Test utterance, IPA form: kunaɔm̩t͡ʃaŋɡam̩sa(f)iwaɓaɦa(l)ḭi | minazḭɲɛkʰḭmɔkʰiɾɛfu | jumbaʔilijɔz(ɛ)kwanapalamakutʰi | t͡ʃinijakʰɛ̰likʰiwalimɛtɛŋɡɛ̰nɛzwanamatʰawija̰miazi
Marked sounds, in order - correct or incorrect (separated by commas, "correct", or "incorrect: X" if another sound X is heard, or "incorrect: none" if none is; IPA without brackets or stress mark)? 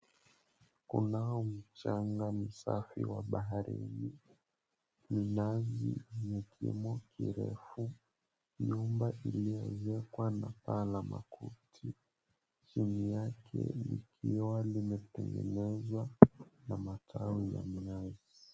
correct, incorrect: ɾ, correct